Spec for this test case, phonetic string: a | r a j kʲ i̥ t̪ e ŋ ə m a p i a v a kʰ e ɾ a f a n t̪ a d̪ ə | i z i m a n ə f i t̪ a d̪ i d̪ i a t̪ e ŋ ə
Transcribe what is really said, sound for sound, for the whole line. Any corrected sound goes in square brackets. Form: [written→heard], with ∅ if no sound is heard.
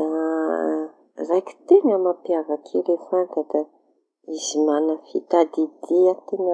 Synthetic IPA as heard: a | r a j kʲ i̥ t̪ e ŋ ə m a p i a v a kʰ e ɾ [a→e] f a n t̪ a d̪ [ə→a] | i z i m a n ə f i t̪ a d̪ i d̪ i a t̪ e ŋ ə